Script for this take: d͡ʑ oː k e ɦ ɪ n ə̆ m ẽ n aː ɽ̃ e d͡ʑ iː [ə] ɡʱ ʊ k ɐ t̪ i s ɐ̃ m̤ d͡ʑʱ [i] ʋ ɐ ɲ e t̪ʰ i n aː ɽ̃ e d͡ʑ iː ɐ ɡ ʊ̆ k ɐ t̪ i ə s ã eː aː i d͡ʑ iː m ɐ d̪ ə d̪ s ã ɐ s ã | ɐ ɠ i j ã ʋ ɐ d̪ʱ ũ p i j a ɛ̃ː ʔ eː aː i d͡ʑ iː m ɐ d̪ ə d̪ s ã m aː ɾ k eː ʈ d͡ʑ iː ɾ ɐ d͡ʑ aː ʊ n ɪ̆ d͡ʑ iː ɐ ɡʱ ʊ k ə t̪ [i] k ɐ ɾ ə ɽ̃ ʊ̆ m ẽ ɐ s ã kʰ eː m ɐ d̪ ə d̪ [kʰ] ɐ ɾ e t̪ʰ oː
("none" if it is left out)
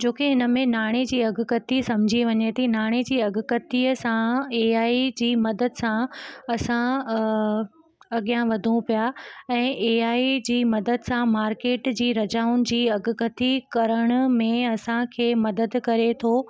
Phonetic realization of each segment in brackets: ɐ, i, i, k

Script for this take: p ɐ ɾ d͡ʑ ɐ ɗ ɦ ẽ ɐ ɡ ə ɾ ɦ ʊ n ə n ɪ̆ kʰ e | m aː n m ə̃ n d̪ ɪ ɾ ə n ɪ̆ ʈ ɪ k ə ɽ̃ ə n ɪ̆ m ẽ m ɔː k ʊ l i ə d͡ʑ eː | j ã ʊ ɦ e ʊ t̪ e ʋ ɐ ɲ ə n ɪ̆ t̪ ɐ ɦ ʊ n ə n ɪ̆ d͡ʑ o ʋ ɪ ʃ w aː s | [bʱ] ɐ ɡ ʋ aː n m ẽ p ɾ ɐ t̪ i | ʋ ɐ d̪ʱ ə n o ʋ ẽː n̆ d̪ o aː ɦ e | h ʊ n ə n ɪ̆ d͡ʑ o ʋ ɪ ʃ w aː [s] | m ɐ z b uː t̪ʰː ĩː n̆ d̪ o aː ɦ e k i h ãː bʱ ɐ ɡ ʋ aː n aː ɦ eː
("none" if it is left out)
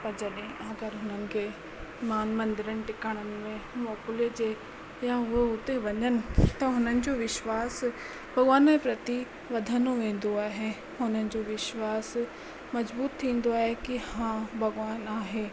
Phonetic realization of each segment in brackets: bʱ, s

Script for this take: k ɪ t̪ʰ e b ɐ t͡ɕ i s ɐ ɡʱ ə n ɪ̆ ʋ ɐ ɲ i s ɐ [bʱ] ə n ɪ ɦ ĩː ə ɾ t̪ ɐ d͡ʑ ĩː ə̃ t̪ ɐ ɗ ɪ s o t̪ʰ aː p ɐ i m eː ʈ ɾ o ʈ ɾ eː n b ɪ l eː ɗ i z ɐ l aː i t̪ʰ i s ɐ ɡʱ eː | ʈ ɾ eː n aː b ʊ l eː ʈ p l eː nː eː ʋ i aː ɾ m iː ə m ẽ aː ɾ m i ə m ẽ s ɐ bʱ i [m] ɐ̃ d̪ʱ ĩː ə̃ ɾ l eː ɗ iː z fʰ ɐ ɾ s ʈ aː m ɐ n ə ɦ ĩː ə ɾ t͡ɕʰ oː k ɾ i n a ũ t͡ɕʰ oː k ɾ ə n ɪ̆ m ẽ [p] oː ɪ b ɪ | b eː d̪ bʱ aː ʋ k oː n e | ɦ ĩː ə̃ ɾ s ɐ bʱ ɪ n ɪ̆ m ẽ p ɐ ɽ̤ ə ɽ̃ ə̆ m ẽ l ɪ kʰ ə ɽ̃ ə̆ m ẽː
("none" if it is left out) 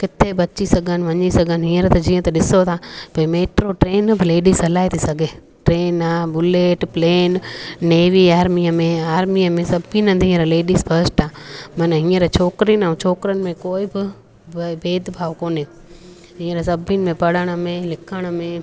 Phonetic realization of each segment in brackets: ɡʱ, n, k

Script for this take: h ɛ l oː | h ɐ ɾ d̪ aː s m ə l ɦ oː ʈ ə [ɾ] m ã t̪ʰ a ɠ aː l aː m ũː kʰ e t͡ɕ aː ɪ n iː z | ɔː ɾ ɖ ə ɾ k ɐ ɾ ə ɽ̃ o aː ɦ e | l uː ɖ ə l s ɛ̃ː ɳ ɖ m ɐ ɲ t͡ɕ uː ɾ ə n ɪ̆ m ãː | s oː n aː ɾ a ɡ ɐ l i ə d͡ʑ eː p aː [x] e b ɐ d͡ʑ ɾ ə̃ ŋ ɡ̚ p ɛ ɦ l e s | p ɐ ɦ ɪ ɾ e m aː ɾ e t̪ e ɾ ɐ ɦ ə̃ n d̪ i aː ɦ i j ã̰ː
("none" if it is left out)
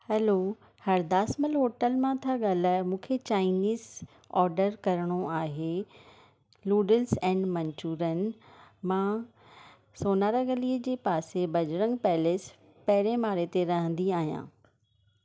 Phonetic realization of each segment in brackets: l, s

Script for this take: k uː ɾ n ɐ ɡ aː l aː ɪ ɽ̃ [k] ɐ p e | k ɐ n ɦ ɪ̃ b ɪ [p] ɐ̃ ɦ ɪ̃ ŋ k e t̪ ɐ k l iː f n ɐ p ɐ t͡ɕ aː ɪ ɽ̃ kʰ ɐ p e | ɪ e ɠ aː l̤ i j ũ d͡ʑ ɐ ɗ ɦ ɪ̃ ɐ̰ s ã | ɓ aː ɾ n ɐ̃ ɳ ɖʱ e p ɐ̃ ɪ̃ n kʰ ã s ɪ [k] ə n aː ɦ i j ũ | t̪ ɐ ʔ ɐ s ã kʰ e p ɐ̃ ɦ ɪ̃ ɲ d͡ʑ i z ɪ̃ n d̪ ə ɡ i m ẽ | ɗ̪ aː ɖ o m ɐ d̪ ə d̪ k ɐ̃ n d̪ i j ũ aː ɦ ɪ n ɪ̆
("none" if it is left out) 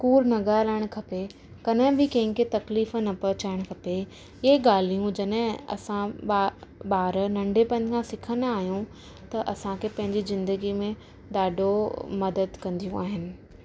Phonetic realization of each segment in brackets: kʰ, k, kʰ

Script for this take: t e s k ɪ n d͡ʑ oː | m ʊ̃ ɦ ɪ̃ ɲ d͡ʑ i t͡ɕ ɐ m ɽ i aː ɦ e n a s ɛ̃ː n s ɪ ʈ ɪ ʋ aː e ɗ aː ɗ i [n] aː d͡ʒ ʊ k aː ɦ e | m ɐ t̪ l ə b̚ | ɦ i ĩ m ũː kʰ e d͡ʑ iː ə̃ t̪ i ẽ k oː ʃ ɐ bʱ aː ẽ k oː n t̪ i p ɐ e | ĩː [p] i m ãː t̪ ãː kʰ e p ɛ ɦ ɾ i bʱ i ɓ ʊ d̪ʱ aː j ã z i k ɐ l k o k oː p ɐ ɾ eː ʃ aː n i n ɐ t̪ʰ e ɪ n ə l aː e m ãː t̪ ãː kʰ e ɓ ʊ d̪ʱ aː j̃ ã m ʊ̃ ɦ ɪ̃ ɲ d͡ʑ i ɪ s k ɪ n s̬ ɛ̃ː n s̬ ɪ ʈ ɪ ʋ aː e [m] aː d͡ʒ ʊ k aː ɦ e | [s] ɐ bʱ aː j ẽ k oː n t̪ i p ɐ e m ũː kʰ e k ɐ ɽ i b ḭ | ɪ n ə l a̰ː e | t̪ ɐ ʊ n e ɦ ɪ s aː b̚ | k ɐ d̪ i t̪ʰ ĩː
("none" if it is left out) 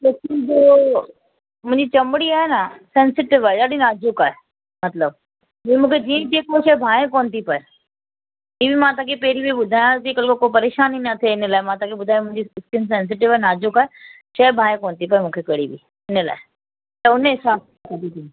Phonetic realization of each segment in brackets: n, b, n, ʃ

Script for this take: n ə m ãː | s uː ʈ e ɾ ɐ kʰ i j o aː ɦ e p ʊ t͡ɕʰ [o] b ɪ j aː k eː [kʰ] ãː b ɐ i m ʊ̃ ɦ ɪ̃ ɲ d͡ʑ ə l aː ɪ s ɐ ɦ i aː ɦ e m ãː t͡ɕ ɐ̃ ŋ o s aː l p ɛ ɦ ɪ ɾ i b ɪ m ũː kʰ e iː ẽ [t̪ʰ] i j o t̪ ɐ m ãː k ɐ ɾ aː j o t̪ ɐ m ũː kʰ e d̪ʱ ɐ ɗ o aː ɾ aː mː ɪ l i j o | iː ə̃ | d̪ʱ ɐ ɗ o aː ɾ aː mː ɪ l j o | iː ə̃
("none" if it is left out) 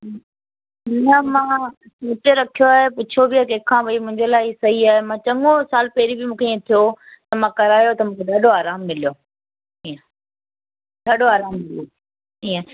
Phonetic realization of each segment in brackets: o, kʰ, t̪ʰ

